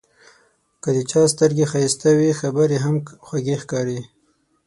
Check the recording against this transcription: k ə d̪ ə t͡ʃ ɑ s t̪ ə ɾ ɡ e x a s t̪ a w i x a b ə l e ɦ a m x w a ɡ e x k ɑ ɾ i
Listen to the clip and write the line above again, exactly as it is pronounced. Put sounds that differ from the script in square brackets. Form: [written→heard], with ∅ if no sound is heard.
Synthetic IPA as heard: k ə d̪ ə t͡ʃ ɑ s t̪ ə ɾ ɡ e x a s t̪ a w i x a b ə [l→ɾ] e ɦ a m x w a ɡ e x k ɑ ɾ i